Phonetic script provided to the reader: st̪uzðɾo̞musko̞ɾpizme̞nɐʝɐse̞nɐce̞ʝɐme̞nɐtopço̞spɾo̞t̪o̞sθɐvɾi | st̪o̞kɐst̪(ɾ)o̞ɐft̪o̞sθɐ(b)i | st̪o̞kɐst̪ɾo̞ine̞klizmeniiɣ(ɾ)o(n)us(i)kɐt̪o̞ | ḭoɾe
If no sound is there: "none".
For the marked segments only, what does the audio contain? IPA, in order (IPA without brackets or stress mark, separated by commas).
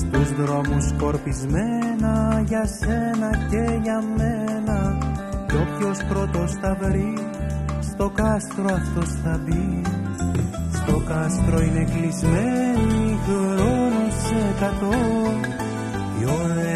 ɾ, b, ɾ, n, e